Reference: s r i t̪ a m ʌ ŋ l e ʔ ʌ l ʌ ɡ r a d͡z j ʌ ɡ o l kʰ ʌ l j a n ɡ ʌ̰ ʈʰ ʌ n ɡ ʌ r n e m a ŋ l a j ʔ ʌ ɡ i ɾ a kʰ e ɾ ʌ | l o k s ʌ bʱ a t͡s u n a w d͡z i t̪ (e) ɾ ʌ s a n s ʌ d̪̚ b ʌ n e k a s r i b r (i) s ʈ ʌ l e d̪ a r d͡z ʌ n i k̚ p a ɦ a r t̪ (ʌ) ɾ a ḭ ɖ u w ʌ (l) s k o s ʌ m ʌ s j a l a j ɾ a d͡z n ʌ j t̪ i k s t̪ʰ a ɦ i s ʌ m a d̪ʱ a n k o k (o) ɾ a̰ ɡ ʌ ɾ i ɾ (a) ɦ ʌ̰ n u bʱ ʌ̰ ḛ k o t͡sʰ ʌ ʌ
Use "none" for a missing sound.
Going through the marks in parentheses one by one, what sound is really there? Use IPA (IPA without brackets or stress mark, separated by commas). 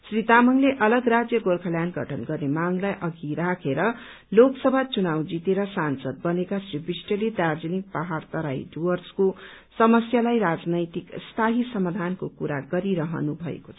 e, i, ʌ, r, u, ʌ